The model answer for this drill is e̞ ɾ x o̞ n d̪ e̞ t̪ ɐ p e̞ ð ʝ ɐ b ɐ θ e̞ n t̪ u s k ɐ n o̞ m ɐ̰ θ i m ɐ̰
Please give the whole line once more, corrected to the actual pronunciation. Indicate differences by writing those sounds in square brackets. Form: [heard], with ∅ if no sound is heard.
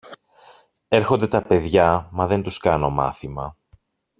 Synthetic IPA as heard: e̞ ɾ x o̞ n d̪ e̞ t̪ ɐ p e̞ ð ʝ ɐ [m] ɐ [ð] e̞ n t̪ u s k ɐ n o̞ m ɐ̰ θ i m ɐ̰